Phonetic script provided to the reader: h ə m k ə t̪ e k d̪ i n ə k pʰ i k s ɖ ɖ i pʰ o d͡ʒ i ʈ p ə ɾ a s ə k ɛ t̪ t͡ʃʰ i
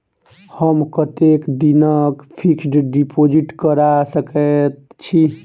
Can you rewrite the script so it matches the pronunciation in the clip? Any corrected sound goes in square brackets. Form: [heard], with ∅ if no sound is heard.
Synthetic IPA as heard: h ə m k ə t̪ e k d̪ i n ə k pʰ i k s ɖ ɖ i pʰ o d͡ʒ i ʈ [k] ə ɾ a s ə k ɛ t̪ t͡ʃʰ i